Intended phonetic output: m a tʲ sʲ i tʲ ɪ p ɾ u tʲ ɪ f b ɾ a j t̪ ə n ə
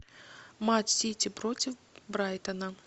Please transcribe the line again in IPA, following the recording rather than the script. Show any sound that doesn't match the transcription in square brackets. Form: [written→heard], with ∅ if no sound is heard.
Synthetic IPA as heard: m a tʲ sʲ i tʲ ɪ p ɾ [u→o] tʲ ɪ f b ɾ a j t̪ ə n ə